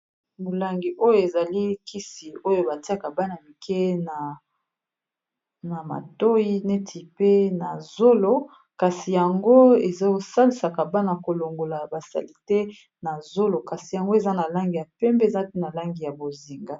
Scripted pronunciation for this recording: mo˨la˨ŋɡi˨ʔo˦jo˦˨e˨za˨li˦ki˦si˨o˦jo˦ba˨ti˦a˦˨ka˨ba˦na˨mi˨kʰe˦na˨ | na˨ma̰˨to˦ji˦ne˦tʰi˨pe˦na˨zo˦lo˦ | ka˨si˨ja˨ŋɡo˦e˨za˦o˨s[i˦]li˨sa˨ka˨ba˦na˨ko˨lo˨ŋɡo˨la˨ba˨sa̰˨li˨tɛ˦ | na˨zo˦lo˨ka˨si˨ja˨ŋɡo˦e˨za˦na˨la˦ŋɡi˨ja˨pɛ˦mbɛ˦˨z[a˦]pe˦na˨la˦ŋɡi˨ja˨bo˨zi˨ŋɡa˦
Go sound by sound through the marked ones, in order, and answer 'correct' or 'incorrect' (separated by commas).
incorrect, correct